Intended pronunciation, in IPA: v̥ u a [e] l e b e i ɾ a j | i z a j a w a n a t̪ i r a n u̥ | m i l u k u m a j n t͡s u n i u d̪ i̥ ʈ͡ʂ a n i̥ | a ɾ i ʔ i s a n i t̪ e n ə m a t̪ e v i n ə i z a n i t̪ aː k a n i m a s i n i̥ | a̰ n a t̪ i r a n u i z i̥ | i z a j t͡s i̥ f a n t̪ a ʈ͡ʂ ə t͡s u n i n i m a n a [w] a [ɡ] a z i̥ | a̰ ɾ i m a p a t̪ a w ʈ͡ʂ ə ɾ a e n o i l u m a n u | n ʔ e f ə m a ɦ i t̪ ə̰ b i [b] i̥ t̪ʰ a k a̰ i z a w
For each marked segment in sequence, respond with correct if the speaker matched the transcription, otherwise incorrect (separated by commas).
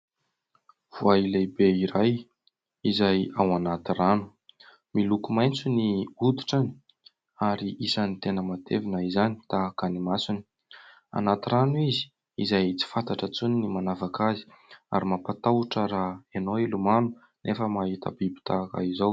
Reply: incorrect, incorrect, incorrect, correct